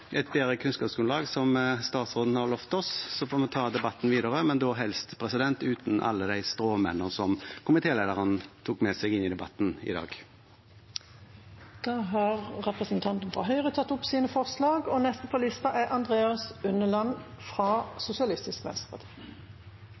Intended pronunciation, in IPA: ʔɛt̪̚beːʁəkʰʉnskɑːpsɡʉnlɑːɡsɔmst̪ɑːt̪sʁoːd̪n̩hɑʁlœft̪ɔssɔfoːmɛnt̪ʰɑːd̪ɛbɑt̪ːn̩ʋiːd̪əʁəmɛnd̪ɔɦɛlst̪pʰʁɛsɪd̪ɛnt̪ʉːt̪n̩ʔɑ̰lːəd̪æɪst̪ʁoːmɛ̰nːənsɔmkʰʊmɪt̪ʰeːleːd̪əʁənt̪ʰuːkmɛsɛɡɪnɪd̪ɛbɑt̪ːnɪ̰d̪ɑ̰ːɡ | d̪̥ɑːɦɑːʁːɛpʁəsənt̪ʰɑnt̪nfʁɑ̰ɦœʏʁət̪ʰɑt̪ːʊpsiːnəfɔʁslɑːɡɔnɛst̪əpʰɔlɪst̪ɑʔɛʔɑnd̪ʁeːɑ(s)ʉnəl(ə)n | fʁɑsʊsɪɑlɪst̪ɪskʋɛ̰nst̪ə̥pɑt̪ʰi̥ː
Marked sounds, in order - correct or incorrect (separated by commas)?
correct, incorrect